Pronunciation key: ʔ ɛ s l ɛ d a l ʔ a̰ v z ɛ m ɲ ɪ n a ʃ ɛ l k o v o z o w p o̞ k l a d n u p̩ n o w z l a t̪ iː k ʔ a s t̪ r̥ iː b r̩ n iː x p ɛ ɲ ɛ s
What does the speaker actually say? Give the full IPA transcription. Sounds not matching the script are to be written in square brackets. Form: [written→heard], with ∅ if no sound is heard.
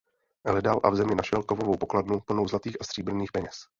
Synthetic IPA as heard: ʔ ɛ [s→∅] l ɛ d a l ʔ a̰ v z ɛ m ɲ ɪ n a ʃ ɛ l k o v o [z→v] o w p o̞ k l a d n u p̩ n o w z l a t̪ iː [k→x] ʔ a s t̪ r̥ iː b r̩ n iː x p ɛ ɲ ɛ s

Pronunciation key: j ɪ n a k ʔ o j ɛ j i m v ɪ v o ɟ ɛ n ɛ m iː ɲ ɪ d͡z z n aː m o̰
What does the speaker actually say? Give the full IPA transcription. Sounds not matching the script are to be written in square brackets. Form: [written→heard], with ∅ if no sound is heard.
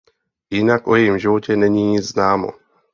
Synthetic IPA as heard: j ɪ n a k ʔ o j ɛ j i m [v→ʒ] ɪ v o [ɟ→c] ɛ n ɛ [m→ɲ] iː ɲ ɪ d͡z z n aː m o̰

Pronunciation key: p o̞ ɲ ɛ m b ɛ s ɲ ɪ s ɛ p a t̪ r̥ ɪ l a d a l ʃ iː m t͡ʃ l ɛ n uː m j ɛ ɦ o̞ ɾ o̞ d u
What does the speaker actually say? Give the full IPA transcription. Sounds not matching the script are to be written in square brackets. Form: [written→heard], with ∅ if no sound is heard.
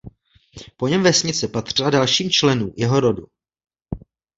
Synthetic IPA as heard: p o̞ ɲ ɛ m [b→v] ɛ s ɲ ɪ [s→t͡s] ɛ p a t̪ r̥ ɪ l a d a l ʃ iː m t͡ʃ l ɛ n uː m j ɛ ɦ o̞ ɾ o̞ d u

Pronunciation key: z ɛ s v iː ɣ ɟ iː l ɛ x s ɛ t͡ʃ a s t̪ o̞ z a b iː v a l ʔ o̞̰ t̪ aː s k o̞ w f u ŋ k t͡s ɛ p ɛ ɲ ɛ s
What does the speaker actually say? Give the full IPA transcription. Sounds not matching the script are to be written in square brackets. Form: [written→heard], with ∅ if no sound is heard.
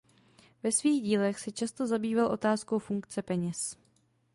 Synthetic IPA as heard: [z→v] ɛ s v iː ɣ ɟ iː l ɛ x s ɛ t͡ʃ a s t̪ o̞ z a b iː v a l ʔ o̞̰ t̪ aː s k o̞ w f u ŋ k t͡s ɛ p ɛ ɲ ɛ s

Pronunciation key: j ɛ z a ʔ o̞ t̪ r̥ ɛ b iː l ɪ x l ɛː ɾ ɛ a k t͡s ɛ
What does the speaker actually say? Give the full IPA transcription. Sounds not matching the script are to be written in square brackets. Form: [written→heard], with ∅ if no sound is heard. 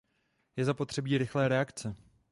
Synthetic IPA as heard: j ɛ z a [ʔ→p] o̞ t̪ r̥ ɛ b iː [l→ɾ] ɪ x l ɛː ɾ ɛ a k t͡s ɛ

